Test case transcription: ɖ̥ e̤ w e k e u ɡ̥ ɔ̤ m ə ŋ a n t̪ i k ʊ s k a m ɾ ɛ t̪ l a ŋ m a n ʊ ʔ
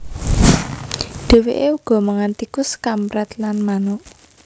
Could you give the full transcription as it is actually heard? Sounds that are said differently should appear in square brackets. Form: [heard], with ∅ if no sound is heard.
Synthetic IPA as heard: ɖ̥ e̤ w e [ʔ] e u ɡ̥ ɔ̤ m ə ŋ a n t̪ i k ʊ s k a m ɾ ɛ t̪ l a [n] m a n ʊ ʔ